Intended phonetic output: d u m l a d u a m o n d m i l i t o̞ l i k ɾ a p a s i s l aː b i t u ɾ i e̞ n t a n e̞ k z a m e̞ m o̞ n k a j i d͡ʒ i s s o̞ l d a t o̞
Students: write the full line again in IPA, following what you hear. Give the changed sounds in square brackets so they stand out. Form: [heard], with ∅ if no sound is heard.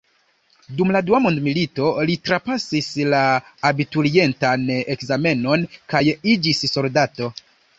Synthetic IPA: d u m l a d u a m o n d m i l i t o̞ l i [t] ɾ a p a s i s l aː b i t u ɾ i e̞ n t a n e̞ k z a m e̞ [n] o̞ n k a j i d͡ʒ i s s o̞ l d a t o̞